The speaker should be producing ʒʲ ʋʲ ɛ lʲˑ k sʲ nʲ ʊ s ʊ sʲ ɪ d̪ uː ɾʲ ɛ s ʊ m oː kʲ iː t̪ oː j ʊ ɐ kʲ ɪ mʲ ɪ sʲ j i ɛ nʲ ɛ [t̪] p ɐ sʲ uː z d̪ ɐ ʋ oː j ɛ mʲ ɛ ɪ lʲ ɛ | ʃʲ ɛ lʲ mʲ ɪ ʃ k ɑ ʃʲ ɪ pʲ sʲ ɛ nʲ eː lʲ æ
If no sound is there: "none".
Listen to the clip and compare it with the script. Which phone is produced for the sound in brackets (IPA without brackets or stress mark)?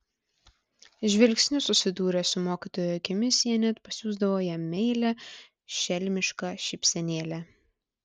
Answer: t̪